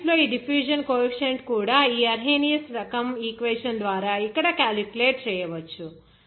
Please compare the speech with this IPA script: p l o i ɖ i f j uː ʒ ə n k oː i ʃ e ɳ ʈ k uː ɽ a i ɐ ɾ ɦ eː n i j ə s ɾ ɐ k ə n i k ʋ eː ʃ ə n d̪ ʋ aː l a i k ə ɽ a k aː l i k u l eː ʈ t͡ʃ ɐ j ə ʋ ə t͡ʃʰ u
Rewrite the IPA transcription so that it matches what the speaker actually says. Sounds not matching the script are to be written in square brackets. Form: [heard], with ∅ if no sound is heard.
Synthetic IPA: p l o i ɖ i f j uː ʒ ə n k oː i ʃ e ɳ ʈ k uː ɽ a i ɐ ɾ ɦ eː n i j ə s ɾ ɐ k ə [m] i k ʋ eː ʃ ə n d̪ ʋ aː [ɾ] a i k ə ɽ a k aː l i k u l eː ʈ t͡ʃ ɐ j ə ʋ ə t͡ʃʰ u

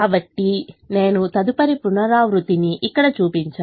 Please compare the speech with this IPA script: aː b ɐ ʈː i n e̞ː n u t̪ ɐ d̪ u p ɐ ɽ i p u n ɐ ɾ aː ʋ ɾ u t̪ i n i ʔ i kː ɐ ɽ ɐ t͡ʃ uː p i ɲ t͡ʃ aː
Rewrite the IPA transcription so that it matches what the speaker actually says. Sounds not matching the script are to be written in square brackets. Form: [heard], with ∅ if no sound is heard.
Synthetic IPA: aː b ɐ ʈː i n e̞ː n u t̪ ɐ d̪ u p ɐ [ɾ] i p u n ɐ ɾ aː ʋ ɾ u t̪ i n i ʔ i kː ɐ ɽ ɐ t͡ʃ uː p i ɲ t͡ʃ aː

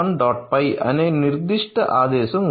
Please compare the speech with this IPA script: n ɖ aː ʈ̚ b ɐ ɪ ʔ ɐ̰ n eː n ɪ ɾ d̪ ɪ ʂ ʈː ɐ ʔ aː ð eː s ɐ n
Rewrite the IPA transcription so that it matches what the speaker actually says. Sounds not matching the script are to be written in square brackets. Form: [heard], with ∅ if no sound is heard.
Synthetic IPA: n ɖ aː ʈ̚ [p] ɐ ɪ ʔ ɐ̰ n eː n ɪ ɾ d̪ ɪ ʂ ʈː ɐ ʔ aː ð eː s ɐ [m]

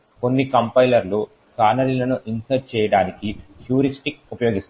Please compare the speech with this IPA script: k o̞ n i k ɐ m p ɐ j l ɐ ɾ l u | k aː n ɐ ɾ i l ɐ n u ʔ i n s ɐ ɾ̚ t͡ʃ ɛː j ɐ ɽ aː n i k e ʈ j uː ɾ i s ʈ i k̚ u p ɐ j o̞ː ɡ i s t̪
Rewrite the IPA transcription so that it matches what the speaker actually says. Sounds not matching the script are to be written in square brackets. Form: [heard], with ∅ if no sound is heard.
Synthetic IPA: k o̞ [nː] i k ɐ m p ɐ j l ɐ ɾ l u | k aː n ɐ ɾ i l ɐ n u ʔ i n s ɐ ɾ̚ t͡ʃ ɛː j ɐ ɽ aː n i k [i] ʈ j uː ɾ i s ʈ i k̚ u p ɐ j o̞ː ɡ i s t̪

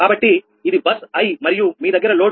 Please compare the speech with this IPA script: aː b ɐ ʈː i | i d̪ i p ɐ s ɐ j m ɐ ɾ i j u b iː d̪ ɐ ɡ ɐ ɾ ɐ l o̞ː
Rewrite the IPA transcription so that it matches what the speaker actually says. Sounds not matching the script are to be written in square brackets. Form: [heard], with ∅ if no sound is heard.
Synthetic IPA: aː b ɐ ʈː i | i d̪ i [b] ɐ s ɐ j m ɐ ɾ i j u [m] iː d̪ ɐ ɡ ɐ ɾ ɐ l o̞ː

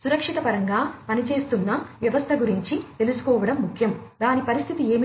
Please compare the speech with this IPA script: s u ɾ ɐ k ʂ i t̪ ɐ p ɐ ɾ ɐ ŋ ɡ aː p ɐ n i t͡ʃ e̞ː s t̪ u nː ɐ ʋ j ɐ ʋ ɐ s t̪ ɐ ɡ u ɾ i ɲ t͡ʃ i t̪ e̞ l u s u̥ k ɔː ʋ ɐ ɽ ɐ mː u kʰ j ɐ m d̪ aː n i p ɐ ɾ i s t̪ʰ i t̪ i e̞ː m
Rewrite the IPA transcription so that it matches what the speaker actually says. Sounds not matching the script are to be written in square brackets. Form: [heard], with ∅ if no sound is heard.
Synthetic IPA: s u ɾ ɐ k ʂ i t̪ ɐ p ɐ ɾ ɐ ŋ ɡ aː p ɐ n i t͡ʃ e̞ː s t̪ u nː ɐ ʋ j ɐ ʋ ɐ s [t̪ʰ] ɐ ɡ u ɾ i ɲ t͡ʃ i t̪ e̞ l u s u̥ k ɔː ʋ ɐ ɽ ɐ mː u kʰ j ɐ m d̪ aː n i p ɐ ɾ i s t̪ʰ i t̪ i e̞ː m

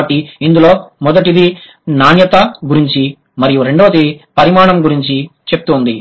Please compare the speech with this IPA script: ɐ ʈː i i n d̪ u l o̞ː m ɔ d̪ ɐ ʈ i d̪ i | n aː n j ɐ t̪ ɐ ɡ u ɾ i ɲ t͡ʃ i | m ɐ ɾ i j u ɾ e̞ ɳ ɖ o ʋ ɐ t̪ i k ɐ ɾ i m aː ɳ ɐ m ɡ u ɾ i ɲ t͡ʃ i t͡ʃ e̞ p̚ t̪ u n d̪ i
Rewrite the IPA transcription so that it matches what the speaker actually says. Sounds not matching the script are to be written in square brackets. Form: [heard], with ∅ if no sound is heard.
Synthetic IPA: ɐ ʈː i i n d̪ u l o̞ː m ɔ d̪ ɐ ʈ i d̪ i | n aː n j ɐ t̪ ɐ ɡ u ɾ i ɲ t͡ʃ i | m ɐ ɾ i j u ɾ e̞ ɳ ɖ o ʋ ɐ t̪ i [p] ɐ ɾ i m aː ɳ ɐ m ɡ u ɾ i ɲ t͡ʃ i t͡ʃ e̞ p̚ t̪ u n d̪ i

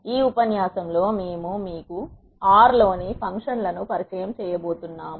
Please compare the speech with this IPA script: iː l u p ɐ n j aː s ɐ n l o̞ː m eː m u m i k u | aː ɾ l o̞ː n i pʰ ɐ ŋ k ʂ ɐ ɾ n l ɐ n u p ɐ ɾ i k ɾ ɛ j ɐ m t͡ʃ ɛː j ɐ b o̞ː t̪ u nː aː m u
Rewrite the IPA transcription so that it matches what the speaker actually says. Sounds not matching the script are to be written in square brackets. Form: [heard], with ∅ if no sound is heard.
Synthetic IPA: iː [∅] u p ɐ n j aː s ɐ [m] l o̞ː m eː m u m [iː] k u | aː ɾ l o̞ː n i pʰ ɐ ŋ k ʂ ɐ [∅] n l ɐ n u p ɐ ɾ i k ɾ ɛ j ɐ m t͡ʃ ɛː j ɐ b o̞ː t̪ u nː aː m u

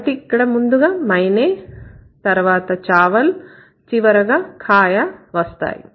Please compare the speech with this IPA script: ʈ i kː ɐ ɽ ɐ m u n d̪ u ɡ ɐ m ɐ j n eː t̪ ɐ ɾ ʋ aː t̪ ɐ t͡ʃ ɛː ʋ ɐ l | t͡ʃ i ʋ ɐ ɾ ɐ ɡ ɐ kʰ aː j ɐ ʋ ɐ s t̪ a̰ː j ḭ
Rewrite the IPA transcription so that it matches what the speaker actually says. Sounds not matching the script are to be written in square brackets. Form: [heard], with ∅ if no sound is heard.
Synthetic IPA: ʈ i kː ɐ ɽ ɐ m u n d̪ u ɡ ɐ m ɐ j n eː t̪ ɐ ɾ ʋ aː t̪ ɐ t͡ʃ [aː] ʋ ɐ l | t͡ʃ i ʋ ɐ ɾ ɐ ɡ ɐ kʰ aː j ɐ ʋ ɐ s t̪ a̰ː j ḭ

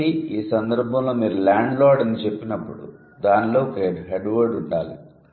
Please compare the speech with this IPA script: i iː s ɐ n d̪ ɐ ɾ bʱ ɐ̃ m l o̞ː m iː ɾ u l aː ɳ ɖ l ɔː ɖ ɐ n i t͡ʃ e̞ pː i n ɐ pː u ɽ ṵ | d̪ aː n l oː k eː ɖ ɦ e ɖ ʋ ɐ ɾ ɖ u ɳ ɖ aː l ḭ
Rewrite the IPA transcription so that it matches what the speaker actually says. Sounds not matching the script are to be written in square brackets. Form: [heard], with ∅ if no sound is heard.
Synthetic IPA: i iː s ɐ n d̪ ɐ ɾ bʱ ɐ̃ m l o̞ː m iː ɾ u l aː ɳ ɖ l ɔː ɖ ɐ n i t͡ʃ e̞ pː i n ɐ pː u ɽ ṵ | d̪ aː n l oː k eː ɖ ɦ e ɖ ʋ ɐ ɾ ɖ u ɳ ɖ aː l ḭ

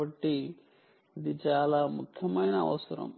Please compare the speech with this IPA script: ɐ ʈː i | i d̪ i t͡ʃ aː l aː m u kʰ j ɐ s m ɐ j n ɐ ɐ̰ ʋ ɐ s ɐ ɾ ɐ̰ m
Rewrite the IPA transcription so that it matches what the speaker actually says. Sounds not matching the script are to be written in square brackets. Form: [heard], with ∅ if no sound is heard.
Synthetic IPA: ɐ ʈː i | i d̪ i t͡ʃ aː l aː m u kʰ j ɐ [∅] m ɐ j n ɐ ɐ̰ ʋ ɐ s ɐ ɾ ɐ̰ m

